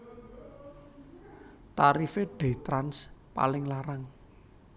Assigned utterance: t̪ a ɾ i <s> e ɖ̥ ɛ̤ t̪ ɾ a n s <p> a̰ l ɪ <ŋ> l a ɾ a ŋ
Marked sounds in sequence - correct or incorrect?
incorrect, correct, correct

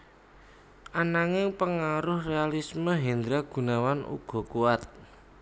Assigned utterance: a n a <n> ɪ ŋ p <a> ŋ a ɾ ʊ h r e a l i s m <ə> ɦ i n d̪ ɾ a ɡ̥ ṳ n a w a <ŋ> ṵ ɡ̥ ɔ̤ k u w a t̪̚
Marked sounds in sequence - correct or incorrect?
incorrect, incorrect, correct, incorrect

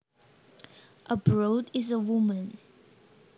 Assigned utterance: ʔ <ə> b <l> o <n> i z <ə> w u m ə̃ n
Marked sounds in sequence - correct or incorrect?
correct, incorrect, incorrect, correct

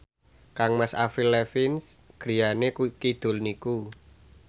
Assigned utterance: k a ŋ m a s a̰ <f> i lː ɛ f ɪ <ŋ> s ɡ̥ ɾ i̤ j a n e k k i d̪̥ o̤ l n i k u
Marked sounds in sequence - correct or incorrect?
correct, incorrect

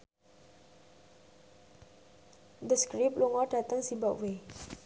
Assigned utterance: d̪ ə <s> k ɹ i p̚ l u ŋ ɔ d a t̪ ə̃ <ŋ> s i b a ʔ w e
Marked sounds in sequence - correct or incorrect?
correct, correct

